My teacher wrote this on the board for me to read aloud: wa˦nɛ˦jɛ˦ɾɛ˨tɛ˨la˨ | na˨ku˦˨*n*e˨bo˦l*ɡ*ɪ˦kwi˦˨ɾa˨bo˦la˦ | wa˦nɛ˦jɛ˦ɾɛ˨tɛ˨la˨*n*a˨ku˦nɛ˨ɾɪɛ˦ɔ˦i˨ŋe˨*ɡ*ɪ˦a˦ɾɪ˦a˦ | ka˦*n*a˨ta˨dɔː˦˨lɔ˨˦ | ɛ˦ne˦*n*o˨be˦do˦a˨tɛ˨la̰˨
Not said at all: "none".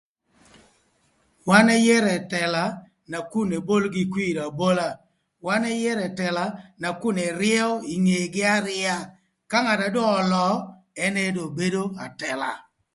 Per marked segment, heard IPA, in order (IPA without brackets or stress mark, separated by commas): n, ɡ, n, ɡ, ŋ, d